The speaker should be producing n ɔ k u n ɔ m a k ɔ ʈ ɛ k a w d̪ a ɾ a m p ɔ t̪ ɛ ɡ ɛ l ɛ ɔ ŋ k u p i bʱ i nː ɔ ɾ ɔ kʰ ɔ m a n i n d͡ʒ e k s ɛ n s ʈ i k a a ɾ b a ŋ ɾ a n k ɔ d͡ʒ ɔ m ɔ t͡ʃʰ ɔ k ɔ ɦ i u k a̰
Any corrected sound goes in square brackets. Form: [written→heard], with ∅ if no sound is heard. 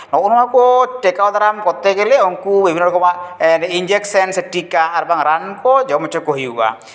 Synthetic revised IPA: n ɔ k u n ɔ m a k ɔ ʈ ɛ k a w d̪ a ɾ a m [p→k] ɔ t̪ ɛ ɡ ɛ l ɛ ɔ ŋ k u [p→b] i bʱ i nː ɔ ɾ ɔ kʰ ɔ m a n i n d͡ʒ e k s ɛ n s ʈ i k a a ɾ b a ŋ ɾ a n k ɔ d͡ʒ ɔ m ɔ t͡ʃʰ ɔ k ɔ ɦ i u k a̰